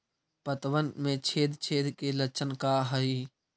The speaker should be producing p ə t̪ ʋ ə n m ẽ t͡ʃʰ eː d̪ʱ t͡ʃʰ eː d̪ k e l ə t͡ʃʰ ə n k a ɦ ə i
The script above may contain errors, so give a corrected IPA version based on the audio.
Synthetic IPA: p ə t̪ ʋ ə n m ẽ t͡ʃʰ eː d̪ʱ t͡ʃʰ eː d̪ k e l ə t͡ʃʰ ə n k a ɦ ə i

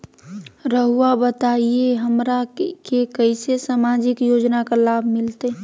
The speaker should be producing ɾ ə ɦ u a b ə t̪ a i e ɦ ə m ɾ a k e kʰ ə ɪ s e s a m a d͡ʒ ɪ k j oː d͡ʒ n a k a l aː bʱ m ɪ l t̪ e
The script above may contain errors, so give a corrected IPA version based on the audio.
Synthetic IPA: ɾ ə ɦ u a b ə t̪ a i e ɦ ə m ɾ a k e k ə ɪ s e s a m a d͡ʒ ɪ k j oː d͡ʒ n a k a l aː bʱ m ɪ l t̪ e

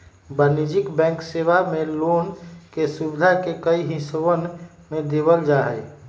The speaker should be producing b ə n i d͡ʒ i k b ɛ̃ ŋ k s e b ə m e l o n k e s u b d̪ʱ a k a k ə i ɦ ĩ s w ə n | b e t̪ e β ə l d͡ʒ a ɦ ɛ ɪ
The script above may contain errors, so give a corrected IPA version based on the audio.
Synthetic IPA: b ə n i d͡ʒ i k b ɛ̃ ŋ k s e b a m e l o n k e s u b d̪ʱ a k e k ə i ɦ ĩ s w ə n | m e d̪ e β ə l d͡ʒ a ɦ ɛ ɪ

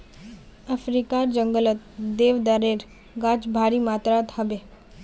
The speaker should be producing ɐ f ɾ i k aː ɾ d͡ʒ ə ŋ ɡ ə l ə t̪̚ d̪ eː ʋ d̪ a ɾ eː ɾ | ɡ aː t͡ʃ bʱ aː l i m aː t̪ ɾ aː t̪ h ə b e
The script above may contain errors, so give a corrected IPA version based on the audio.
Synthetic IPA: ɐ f ɾ i k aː ɾ d͡ʒ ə ŋ ɡ ə l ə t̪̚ d̪ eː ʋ d̪ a ɾ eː ɾ | ɡ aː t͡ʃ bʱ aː ɾ i m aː t̪ ɾ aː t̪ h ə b e

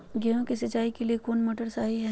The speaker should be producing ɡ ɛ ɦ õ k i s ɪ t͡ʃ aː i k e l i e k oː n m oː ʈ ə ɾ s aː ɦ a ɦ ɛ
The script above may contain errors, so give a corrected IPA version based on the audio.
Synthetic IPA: ɡ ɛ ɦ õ k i s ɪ t͡ʃ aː i k e l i e k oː n m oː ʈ ə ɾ s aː ɦ i ɦ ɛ

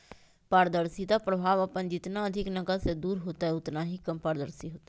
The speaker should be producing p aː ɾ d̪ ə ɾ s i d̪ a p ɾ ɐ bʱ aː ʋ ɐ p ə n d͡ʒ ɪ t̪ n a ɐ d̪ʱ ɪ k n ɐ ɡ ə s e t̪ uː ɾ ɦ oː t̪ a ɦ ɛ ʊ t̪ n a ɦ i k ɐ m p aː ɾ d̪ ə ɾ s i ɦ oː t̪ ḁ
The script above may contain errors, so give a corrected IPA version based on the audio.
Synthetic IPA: p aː ɾ d̪ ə ɾ s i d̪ a p ɾ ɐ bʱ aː ʋ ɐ p ə n d͡ʒ ɪ t̪ n a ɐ d̪ʱ ɪ k n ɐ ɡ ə s e d̪ uː ɾ ɦ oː t̪ a ɦ ɛ ʊ t̪ n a ɦ i k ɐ m p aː ɾ d̪ ə ɾ s i ɦ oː t̪ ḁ

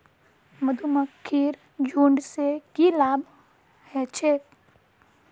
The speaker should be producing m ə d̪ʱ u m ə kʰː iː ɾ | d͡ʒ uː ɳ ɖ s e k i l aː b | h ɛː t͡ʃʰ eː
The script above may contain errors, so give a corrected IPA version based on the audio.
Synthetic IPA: m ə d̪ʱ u m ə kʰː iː ɾ | d͡ʒ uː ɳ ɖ s e k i l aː b | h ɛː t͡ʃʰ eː

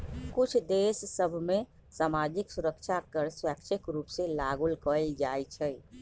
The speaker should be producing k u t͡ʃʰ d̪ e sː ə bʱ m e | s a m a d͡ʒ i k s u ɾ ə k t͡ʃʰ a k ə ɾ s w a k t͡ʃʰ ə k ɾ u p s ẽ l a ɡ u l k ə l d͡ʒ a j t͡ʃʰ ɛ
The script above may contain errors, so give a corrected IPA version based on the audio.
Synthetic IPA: k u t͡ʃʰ d̪ e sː ə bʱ m e | s a m a d͡ʒ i k s u ɾ ə k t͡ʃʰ a k ə ɾ s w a k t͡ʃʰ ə k ɾ u p s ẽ l a ɡ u l k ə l d͡ʒ a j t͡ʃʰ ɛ

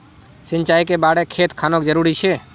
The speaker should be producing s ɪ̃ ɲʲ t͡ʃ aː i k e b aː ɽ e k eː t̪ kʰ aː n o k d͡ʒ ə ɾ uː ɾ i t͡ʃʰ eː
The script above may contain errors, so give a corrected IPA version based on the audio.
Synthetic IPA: s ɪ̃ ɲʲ t͡ʃ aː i k e b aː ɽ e kʰ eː t̪ kʰ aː n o k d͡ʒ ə ɾ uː ɾ i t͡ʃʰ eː

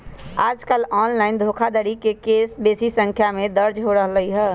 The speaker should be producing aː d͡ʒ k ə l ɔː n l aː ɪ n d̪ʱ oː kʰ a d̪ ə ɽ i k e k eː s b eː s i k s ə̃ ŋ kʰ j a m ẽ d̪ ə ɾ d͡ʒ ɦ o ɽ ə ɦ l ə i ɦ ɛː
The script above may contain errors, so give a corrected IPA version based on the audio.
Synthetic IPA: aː d͡ʒ k ə l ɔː n l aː ɪ n d̪ʱ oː kʰ a d̪ ə ɾ i k e k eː s b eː s i s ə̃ ŋ kʰ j a m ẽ d̪ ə ɾ d͡ʒ ɦ o ɾ ə ɦ l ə i ɦ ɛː

